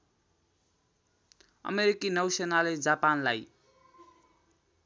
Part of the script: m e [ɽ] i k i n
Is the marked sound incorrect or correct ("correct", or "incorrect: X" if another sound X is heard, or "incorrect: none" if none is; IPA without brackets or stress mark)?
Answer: incorrect: ɾ